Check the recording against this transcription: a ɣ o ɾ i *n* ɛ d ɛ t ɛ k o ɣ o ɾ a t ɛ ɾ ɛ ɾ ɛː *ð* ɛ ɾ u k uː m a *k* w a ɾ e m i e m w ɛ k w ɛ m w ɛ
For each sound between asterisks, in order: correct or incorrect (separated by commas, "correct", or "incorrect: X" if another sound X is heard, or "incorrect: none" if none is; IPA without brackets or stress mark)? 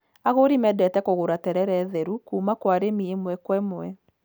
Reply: incorrect: m, correct, correct